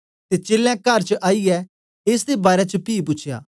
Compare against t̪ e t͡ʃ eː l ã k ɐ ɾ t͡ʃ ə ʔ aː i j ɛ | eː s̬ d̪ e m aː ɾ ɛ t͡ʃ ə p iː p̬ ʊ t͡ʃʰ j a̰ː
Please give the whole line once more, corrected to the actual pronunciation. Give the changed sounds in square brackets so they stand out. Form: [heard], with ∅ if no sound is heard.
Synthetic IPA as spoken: t̪ e t͡ʃ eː l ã k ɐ ɾ t͡ʃ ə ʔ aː i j ɛ | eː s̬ d̪ e [b] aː ɾ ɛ t͡ʃ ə p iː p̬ ʊ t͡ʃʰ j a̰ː